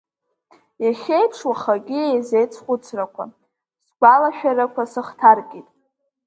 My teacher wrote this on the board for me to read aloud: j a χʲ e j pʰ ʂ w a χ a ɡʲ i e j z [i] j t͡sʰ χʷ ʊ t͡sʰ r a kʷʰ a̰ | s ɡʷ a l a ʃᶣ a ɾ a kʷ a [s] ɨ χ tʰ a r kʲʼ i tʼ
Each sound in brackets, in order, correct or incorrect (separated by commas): incorrect, correct